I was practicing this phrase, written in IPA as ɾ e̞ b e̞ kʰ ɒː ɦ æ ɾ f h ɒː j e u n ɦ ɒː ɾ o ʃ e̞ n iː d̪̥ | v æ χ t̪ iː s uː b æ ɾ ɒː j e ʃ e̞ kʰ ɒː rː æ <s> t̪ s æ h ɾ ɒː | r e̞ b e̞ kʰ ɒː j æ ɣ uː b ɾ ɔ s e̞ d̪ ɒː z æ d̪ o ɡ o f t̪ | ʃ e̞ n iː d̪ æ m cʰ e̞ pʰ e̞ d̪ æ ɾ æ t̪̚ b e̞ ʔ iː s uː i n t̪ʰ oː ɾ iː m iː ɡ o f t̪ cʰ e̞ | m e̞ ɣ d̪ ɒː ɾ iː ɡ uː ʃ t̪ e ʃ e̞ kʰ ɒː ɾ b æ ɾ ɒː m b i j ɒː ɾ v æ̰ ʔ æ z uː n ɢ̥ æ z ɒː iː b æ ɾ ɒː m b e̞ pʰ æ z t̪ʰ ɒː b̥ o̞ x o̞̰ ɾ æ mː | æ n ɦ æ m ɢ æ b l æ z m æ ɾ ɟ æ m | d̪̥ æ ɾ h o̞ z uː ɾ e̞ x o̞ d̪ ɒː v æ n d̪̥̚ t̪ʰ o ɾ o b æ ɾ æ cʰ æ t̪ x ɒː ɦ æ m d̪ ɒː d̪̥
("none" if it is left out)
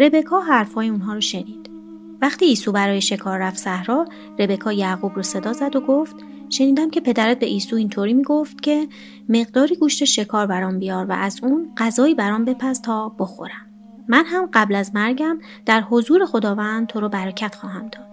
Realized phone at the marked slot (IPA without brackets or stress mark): f